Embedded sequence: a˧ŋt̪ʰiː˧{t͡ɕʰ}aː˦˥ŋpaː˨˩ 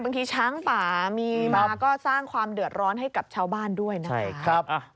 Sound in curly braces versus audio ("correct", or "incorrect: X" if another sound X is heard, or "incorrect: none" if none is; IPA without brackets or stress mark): correct